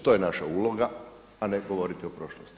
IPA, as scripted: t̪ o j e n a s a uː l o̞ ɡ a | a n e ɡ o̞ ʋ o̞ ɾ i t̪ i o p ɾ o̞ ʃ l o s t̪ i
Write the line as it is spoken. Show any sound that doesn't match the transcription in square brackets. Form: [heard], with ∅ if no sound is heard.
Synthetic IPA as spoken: t̪ o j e n a [ʃ] a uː l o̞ ɡ a | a n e ɡ o̞ ʋ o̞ ɾ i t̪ i o p ɾ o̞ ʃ l o s t̪ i